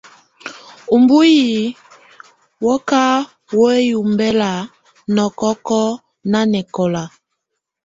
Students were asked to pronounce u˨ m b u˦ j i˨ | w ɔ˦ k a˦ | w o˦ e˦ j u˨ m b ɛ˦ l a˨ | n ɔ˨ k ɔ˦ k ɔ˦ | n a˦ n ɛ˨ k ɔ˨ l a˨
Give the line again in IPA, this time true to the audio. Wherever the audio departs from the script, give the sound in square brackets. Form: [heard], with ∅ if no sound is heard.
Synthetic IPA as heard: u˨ m b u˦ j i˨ | w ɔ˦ k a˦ | w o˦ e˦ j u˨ m b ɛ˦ l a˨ | n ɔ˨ k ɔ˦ k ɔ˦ | n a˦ n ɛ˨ k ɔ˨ l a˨